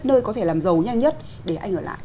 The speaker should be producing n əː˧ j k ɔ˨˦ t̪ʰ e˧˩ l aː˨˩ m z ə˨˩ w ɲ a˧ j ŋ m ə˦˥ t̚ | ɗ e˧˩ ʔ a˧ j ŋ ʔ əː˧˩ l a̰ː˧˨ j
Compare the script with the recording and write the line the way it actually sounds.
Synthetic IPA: n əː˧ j k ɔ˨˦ t̪ʰ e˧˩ l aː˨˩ m z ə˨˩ w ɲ a˧ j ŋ ɲ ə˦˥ t̚ | ɗ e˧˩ ʔ a˧ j ŋ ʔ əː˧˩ l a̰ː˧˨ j